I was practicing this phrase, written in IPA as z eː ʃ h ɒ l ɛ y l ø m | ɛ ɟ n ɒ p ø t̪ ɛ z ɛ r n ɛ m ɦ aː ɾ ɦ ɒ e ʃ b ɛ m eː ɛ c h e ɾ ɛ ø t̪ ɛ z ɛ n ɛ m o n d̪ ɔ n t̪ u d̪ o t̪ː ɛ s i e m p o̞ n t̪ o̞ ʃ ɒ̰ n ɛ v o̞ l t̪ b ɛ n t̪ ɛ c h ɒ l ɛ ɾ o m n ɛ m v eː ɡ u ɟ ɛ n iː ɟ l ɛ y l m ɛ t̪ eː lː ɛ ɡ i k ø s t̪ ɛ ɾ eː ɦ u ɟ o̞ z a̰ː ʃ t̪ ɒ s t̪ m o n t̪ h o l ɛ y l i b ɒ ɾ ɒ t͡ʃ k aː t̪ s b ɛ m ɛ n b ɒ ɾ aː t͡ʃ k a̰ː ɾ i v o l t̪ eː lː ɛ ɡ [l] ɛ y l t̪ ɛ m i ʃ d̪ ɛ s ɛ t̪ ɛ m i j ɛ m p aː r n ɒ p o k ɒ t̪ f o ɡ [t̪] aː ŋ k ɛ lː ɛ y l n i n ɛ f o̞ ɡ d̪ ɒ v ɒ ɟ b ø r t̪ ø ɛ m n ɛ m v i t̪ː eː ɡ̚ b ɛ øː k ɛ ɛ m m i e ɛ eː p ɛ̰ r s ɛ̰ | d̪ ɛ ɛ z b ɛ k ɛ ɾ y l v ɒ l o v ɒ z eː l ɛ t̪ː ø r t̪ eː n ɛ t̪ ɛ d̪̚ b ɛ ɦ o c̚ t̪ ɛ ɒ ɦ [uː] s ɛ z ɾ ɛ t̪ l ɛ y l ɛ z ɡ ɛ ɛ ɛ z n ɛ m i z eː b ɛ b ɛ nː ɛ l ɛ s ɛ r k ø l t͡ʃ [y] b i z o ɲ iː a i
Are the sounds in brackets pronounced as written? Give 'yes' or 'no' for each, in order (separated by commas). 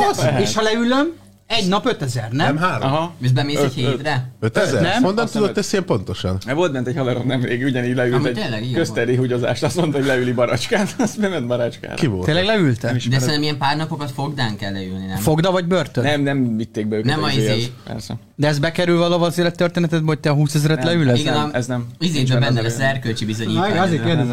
yes, no, yes, no